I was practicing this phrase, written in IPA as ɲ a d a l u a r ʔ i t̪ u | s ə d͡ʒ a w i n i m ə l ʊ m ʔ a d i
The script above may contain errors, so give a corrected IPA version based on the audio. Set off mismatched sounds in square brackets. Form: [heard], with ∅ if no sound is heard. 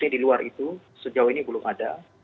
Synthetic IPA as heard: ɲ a d [i] l u a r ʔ i t̪ u | s ə d͡ʒ a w i n i [b] ə l ʊ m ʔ a d [a]